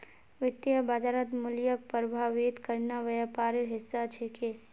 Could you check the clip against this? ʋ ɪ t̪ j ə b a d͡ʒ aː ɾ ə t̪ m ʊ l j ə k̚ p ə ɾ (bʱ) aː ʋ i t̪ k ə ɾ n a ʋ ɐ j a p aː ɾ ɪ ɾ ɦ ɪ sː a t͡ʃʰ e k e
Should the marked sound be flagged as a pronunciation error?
no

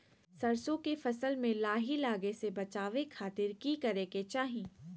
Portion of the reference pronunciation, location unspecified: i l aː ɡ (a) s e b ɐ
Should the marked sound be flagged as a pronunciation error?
yes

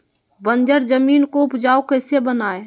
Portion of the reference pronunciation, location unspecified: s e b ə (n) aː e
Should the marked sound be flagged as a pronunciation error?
no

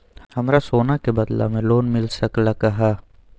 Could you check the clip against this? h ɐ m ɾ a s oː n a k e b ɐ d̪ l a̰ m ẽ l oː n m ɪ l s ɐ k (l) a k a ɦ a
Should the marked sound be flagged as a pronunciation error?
no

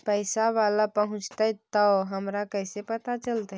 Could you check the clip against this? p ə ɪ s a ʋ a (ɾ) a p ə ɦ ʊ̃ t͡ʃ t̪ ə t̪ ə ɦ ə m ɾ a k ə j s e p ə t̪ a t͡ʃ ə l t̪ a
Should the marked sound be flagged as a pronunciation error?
yes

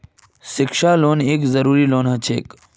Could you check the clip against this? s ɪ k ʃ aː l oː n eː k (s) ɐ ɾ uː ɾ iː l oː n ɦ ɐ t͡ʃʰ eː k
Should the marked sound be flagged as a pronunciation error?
yes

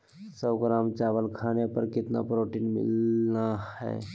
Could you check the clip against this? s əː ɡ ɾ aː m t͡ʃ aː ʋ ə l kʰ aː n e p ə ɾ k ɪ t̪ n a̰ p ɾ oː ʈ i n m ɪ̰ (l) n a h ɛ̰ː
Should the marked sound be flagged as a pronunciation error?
no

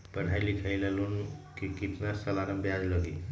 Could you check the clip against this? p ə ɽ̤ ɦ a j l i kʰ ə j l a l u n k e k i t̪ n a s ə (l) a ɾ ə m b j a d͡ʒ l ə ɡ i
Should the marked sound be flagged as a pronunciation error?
no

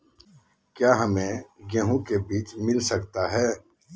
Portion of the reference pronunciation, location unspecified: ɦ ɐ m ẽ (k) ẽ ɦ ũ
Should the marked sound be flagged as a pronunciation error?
yes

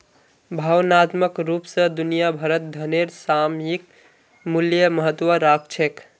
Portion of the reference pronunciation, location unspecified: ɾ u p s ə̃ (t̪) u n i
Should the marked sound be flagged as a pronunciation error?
yes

